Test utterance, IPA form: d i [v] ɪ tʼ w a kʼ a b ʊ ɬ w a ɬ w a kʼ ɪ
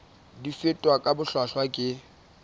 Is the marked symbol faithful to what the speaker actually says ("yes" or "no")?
no